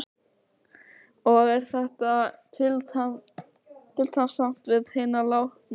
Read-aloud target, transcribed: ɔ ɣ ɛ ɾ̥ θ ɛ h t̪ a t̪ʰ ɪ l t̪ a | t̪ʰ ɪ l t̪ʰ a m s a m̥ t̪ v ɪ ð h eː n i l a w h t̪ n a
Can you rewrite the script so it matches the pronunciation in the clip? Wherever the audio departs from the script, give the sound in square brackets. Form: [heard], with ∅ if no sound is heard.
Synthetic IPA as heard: ɔ ɣ ɛ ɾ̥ θ ɛ h t̪ a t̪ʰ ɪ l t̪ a | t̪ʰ ɪ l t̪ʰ a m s a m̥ t̪ v ɪ ð h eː n [a] l a w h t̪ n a